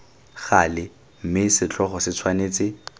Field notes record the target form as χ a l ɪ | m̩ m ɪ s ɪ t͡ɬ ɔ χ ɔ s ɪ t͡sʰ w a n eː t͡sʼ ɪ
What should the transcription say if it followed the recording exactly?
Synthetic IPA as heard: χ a l ɪ | m̩ m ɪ s ɪ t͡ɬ ɔ χ ɔ s ɪ t͡sʰ w a n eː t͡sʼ ɪ